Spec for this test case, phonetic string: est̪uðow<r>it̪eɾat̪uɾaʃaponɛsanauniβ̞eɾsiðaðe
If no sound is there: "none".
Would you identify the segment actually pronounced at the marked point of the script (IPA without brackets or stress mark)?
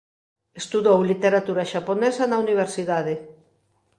l